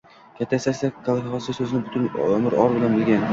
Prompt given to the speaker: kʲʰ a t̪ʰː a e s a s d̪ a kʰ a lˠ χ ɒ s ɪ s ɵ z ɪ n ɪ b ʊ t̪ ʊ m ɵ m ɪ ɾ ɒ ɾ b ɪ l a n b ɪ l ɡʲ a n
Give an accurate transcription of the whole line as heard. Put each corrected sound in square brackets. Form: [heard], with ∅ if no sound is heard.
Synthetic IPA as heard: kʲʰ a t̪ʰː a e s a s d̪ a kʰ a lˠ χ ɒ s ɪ s ɵ z ɪ n ɪ b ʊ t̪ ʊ [n] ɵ m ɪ ɾ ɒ ɾ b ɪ l a n b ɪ l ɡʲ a n